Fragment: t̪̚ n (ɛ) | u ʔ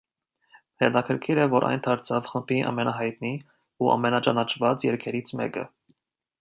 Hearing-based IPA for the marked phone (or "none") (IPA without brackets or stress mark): i